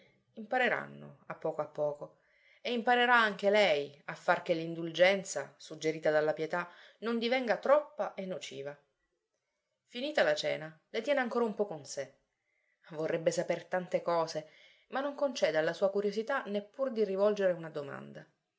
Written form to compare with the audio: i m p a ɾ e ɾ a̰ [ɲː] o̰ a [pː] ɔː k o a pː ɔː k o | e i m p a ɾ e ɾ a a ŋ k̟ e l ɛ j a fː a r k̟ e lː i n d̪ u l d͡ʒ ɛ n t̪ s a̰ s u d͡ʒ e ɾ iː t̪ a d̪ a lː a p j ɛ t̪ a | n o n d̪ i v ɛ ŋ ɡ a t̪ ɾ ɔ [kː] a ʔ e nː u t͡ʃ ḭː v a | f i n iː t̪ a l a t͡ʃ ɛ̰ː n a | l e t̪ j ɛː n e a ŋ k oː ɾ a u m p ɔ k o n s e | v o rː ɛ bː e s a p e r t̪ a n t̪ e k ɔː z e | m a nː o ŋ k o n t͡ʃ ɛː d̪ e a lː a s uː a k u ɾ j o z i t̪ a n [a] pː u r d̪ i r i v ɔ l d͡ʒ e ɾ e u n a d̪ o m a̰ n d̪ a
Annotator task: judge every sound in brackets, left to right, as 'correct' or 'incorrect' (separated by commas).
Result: incorrect, correct, incorrect, incorrect